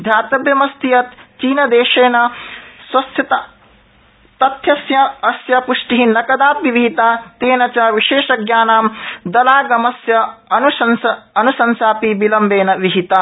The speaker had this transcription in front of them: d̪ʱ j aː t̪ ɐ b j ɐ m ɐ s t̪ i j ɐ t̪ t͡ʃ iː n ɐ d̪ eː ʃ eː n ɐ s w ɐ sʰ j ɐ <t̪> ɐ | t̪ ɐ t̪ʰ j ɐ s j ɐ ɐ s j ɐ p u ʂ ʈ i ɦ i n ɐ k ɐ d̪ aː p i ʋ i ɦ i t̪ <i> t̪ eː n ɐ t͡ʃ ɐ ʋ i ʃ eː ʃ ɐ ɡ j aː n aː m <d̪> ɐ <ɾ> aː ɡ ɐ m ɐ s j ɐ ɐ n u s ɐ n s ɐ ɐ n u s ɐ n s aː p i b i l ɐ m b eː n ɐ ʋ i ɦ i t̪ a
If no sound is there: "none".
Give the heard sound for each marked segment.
t̪, a, d̪, l

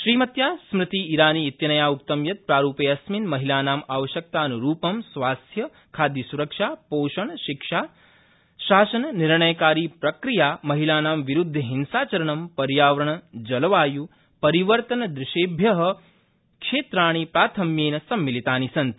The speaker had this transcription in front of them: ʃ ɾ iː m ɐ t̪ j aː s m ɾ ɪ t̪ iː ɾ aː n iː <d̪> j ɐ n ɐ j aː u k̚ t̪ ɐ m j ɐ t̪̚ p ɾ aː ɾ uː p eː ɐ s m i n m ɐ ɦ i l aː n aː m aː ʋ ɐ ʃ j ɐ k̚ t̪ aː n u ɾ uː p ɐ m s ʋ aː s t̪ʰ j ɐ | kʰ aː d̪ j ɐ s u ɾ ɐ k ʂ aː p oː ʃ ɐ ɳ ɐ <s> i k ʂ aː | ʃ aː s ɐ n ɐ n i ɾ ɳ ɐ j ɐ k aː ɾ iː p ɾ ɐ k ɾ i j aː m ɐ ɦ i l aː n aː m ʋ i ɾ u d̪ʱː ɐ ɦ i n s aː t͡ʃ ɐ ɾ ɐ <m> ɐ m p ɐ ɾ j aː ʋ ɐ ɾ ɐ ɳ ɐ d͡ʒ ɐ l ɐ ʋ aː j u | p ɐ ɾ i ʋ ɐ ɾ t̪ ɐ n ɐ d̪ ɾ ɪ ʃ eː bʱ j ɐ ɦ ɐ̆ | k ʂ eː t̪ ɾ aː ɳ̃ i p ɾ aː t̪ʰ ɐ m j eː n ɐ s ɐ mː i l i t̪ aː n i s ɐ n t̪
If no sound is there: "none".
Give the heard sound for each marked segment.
t̪, ʃ, ɳ

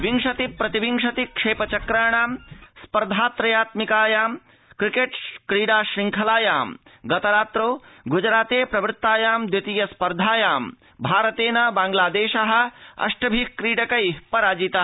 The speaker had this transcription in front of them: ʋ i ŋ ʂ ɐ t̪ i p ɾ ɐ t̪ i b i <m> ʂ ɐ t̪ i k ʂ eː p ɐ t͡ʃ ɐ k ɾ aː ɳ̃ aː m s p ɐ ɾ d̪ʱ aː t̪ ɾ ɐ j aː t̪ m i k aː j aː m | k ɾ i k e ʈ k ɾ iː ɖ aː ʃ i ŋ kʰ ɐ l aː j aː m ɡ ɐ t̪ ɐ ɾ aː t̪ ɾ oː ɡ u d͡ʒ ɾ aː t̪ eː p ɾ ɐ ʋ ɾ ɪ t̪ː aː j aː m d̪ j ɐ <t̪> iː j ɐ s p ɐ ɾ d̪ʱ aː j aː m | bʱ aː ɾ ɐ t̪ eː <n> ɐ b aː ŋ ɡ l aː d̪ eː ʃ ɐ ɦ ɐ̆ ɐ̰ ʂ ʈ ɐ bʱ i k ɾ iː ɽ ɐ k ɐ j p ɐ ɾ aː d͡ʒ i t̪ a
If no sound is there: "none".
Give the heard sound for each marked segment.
ŋ, t̪, n

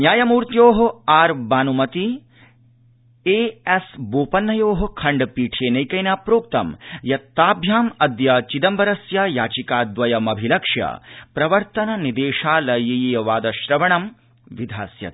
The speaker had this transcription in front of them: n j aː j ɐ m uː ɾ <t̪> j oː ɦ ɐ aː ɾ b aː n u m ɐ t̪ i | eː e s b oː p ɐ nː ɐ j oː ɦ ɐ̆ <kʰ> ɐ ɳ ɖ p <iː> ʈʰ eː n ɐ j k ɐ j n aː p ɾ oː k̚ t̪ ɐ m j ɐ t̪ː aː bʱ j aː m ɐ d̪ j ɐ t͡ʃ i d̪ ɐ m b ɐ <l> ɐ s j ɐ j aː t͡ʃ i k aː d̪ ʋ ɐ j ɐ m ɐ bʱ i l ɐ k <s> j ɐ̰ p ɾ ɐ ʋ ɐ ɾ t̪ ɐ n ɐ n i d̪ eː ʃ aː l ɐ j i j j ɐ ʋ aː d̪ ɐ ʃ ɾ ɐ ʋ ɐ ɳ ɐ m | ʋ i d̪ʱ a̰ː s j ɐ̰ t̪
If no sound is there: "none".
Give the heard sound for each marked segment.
t̪, kʰ, iː, ɾ, ʂ

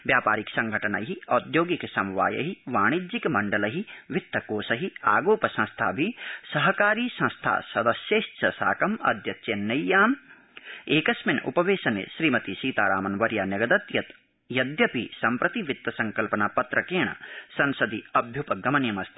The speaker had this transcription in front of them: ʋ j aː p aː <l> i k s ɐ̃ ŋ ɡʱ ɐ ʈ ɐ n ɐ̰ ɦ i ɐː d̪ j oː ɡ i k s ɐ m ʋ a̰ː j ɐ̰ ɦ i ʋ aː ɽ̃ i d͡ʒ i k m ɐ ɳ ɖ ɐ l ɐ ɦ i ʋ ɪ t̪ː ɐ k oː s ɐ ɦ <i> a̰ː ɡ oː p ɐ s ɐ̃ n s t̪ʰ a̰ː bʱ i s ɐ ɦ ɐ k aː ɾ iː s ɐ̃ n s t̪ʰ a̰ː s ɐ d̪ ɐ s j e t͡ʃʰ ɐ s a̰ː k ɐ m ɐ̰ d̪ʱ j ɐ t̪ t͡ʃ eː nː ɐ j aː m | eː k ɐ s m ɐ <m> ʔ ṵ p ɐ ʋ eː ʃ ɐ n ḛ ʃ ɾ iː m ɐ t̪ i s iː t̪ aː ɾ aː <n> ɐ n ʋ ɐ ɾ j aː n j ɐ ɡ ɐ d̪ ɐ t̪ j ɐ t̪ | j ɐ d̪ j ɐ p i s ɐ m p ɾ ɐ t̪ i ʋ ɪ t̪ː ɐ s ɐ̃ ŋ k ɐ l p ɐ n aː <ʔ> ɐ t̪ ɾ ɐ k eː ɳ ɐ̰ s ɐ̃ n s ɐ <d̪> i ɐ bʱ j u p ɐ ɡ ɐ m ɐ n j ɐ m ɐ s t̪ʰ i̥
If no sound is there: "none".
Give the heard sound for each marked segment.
ɾ, i, n, m, p, d̪

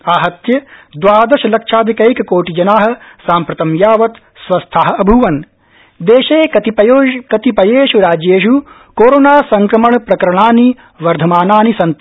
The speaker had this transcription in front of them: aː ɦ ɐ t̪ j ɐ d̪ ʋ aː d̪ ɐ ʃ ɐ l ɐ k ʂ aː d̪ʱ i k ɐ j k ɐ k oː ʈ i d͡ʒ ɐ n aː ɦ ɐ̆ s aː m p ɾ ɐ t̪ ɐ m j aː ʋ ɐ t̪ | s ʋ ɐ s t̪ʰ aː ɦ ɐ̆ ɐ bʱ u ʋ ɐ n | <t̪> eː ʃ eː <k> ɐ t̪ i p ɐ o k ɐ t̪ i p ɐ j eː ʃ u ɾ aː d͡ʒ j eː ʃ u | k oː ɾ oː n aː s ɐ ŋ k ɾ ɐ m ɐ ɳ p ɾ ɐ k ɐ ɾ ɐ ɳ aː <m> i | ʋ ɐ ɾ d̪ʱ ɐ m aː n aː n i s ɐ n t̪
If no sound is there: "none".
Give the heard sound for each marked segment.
d̪, k, n

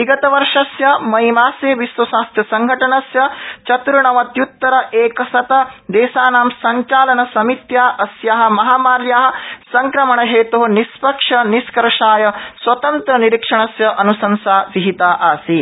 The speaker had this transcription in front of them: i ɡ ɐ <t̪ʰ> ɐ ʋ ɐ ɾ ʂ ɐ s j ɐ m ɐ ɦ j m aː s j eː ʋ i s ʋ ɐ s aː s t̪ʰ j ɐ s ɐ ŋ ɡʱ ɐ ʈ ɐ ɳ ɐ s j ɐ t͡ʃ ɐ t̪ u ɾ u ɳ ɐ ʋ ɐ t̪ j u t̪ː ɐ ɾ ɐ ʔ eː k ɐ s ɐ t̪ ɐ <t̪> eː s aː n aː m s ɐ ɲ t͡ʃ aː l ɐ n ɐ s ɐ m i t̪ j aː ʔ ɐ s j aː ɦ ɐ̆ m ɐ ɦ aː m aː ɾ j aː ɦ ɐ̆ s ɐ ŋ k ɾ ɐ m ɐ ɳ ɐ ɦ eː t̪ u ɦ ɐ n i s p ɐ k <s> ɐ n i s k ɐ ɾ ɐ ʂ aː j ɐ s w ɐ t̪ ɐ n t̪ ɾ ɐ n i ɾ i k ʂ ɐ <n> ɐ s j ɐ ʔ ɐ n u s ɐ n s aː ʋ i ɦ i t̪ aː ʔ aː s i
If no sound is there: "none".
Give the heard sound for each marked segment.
t̪, d̪, ʂ, ɳ

